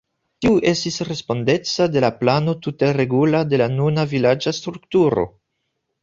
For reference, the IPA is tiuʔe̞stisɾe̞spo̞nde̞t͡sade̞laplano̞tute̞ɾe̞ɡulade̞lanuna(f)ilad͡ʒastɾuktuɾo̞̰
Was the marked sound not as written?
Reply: yes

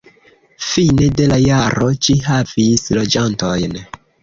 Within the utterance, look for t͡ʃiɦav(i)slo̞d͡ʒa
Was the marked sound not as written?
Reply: no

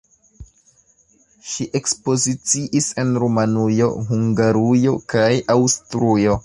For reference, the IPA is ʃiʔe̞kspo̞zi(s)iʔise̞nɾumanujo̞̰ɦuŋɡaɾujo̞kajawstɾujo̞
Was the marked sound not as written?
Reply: yes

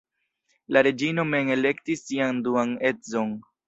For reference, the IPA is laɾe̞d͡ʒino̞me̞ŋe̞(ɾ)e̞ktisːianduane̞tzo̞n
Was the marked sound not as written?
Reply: yes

